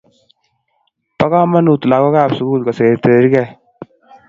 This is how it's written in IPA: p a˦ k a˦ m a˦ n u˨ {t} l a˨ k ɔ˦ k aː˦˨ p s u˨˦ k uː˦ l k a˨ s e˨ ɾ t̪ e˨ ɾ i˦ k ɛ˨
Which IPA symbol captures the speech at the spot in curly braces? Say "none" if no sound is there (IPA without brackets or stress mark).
t